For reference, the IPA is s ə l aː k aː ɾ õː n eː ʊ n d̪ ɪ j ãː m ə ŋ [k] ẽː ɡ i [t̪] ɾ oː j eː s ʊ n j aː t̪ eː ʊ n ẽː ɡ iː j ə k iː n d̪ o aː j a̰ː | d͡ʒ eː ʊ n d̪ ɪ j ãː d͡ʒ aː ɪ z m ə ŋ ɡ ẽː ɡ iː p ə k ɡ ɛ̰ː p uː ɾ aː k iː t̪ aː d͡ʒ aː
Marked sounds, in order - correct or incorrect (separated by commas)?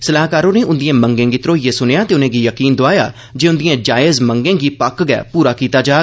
incorrect, correct